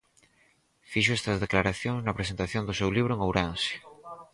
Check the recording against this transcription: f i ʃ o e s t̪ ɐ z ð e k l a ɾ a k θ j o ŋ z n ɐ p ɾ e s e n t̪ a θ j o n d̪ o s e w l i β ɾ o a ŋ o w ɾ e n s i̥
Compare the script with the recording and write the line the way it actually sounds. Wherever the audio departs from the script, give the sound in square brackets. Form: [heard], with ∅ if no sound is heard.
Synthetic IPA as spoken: f i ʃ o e s t̪ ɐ z ð e k l a ɾ a [∅] θ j o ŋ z n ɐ p ɾ e s e n t̪ a θ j o n d̪ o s e w l i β ɾ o [e] ŋ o w ɾ [a] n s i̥